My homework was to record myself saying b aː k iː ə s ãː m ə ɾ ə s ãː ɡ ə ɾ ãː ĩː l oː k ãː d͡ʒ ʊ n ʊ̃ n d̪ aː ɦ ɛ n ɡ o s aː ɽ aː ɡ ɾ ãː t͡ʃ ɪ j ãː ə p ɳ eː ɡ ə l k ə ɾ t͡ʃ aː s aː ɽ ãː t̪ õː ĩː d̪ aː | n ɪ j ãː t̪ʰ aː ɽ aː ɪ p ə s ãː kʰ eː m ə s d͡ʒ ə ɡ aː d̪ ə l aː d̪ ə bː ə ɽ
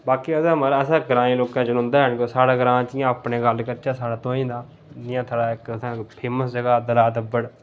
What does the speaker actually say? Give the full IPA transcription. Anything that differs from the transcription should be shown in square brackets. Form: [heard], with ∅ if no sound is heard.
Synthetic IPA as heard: b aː k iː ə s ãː m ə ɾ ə s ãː ɡ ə ɾ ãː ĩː l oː k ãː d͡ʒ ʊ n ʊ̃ n d̪ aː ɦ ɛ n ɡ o s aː ɽ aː ɡ ɾ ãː t͡ʃ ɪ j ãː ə p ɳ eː ɡ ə l k ə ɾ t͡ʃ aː s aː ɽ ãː t̪ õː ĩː d̪ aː | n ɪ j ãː t̪ʰ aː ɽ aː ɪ [k] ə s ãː [pʰ] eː m ə s d͡ʒ ə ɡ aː d̪ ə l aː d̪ ə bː ə ɽ

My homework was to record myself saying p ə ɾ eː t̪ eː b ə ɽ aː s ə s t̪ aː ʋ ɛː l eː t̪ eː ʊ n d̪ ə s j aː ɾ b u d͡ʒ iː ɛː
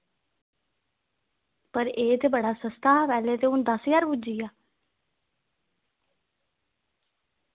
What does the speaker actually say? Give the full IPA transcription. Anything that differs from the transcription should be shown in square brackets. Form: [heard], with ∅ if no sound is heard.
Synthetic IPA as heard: p ə ɾ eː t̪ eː b ə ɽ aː s ə s t̪ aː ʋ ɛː l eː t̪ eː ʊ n d̪ ə s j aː ɾ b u d͡ʒ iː [aː]

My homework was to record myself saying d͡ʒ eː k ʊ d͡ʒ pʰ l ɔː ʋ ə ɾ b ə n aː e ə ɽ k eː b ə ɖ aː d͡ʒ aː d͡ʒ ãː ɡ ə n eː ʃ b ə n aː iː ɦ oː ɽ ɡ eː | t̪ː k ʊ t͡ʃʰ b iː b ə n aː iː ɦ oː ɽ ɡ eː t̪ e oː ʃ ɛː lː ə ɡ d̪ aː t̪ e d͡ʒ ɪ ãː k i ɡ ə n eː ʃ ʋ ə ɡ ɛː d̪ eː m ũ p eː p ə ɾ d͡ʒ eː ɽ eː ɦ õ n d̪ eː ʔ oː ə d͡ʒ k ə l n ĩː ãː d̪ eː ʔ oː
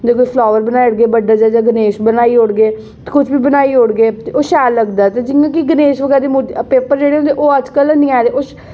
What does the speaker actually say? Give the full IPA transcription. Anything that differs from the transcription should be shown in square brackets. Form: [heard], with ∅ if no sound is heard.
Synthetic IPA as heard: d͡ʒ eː k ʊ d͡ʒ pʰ l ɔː ʋ ə ɾ b ə n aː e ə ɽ [ɡ] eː b ə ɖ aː d͡ʒ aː d͡ʒ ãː ɡ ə n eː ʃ b ə n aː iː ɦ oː ɽ ɡ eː | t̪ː k ʊ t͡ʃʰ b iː b ə n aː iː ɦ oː ɽ ɡ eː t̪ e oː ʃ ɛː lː ə ɡ d̪ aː t̪ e d͡ʒ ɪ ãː k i ɡ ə n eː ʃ ʋ ə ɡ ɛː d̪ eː m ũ p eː p ə ɾ d͡ʒ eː ɽ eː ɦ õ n d̪ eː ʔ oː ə d͡ʒ k ə l n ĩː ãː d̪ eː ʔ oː

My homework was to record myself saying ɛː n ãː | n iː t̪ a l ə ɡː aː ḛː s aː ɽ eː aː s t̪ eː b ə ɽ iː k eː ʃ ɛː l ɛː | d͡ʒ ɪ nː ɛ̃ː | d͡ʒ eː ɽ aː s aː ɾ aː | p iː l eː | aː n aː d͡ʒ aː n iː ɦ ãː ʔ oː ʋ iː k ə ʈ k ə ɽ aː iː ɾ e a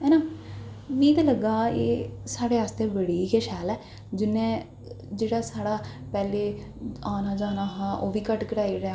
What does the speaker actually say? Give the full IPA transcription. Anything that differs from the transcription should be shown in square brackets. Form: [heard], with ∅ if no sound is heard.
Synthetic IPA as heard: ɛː n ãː | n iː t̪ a l ə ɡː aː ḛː s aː ɽ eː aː s t̪ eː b ə ɽ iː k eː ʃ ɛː l ɛː | d͡ʒ ɪ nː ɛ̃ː | d͡ʒ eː ɽ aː s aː [ɽ] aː | p [ɛː] l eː | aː n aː d͡ʒ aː n [aː] ɦ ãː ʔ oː ʋ iː k ə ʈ k ə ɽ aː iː ɾ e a

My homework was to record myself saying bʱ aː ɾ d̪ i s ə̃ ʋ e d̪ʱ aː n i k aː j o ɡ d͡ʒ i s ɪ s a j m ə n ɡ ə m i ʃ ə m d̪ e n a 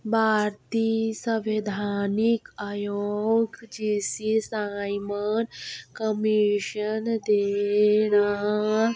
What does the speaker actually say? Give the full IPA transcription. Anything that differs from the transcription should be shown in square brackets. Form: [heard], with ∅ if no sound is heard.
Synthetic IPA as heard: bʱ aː ɾ [t̪] i s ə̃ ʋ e d̪ʱ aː n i k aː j o ɡ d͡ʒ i s [i] s a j m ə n [k] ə m i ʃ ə [n] d̪ e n a

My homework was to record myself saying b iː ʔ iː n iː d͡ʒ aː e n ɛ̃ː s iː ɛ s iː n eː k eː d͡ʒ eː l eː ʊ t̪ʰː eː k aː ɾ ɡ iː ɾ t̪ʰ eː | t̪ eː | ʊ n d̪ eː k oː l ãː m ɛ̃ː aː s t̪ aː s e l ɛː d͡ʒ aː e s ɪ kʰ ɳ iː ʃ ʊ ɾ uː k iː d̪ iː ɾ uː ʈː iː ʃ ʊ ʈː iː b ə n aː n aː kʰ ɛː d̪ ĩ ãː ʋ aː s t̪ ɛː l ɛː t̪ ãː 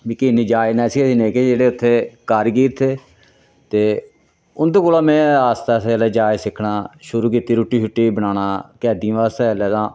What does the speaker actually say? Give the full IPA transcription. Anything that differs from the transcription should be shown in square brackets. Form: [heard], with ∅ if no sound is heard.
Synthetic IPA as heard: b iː [k] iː n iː d͡ʒ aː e n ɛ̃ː s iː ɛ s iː n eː k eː d͡ʒ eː [ɽ] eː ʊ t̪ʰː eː k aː ɾ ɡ iː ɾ t̪ʰ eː | t̪ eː | ʊ n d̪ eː k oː l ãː m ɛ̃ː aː s t̪ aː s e l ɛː d͡ʒ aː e s ɪ kʰ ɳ [aː] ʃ ʊ ɾ uː k iː [t̪] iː ɾ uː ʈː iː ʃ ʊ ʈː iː b ə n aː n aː [k] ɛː d̪ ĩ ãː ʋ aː s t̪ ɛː l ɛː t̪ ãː

